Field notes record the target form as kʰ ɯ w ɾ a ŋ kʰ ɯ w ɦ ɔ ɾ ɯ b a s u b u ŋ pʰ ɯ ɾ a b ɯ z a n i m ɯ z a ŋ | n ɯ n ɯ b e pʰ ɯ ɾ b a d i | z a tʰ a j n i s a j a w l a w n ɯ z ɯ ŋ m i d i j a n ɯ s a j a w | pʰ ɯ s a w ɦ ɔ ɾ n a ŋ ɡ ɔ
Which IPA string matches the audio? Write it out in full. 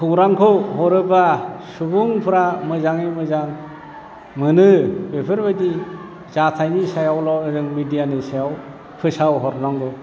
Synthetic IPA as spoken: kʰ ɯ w ɾ a ŋ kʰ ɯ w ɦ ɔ ɾ ɯ b a s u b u ŋ pʰ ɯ ɾ a m ɯ z a ŋ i m ɯ z a ŋ | m ɯ n ɯ b e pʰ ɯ ɾ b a d i | z a tʰ a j n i s a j a w l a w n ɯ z ɯ ŋ m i d i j a n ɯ s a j a w | pʰ ɯ s a w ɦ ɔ ɾ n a ŋ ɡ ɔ